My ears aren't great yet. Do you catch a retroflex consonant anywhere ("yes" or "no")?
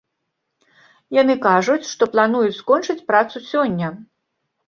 yes